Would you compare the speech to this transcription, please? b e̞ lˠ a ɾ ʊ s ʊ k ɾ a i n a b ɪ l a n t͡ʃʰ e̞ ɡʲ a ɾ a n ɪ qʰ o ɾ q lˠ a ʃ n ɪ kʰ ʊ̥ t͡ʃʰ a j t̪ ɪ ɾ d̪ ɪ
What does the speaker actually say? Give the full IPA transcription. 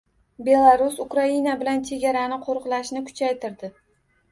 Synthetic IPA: b e̞ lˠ a ɾ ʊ s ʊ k ɾ a i n a b ɪ l a n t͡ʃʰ e̞ ɡʲ a ɾ a n ɪ qʰ o ɾ q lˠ a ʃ n ɪ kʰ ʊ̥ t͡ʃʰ a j t̪ ɪ ɾ d̪ ɪ